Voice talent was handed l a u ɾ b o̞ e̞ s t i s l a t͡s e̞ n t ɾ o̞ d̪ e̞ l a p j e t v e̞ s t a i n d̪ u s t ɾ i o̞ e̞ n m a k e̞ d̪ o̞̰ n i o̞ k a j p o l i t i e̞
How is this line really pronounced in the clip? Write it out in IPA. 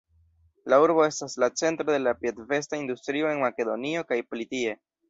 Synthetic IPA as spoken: l a u ɾ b o̞ e̞ s t a s l a t͡s e̞ n t ɾ o̞ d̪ e̞ l a p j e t v e̞ s t a i n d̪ u s t ɾ i o̞ e̞ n m a k e̞ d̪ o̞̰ n i o̞ k a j p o l i t i e̞